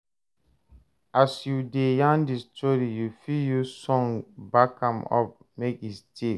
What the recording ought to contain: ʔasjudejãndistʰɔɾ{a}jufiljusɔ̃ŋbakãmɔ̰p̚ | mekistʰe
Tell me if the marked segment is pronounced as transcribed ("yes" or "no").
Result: no